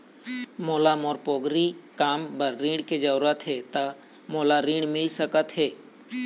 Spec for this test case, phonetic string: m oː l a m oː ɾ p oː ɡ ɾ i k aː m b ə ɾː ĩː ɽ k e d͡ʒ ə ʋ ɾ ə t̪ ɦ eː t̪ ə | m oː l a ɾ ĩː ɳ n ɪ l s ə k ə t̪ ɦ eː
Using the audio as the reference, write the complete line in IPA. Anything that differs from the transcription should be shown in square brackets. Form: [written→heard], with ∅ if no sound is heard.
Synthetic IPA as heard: m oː l a m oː ɾ p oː ɡ ɾ i k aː m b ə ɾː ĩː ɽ k e d͡ʒ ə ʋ ɾ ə t̪ ɦ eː t̪ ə | m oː l a ɾ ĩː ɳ [n→m] ɪ l s ə k ə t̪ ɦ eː